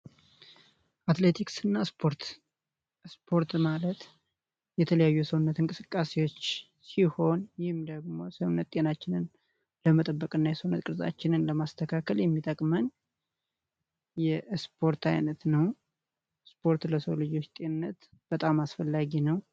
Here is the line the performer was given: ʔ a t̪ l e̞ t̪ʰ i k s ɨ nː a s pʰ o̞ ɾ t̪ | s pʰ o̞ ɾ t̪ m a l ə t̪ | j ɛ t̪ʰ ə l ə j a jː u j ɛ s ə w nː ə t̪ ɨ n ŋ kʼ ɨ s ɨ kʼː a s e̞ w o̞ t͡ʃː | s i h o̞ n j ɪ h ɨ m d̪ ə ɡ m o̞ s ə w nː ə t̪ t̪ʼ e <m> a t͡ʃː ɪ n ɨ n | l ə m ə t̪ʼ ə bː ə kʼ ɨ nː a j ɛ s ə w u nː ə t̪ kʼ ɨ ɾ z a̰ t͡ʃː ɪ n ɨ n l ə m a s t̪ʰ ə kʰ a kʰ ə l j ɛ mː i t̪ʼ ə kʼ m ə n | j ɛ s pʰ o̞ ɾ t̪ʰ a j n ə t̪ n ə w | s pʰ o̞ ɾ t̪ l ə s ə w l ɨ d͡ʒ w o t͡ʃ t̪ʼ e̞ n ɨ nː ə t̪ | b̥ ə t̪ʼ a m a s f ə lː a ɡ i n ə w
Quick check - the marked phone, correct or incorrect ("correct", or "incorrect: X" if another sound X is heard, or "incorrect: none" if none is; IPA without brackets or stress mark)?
incorrect: n